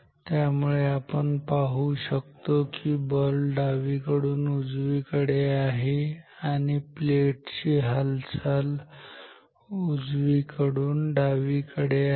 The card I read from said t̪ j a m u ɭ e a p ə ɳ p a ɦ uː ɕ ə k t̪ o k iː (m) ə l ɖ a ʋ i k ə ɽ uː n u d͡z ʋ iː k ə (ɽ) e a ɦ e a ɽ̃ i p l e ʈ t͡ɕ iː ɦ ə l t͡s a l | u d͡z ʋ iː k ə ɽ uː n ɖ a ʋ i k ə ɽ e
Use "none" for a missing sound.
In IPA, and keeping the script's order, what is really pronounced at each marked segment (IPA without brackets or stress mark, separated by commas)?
b, ɽ